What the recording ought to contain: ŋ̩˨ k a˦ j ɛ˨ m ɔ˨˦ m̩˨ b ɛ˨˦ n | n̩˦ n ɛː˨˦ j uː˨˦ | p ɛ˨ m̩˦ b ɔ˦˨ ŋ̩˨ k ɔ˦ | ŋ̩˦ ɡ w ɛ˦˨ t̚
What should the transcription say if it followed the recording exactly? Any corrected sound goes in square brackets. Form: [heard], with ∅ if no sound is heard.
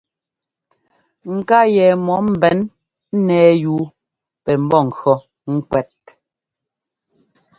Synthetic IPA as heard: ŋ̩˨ k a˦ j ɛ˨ m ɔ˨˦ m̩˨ b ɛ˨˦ n | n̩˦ n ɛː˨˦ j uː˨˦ | p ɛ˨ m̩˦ b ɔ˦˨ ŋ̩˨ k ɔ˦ | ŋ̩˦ [k] w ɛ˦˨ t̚